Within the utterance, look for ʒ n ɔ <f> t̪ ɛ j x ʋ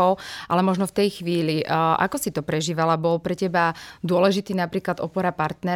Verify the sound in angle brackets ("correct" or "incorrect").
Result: correct